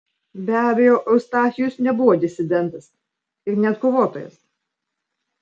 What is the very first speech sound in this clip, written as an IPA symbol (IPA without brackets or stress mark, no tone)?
bʲ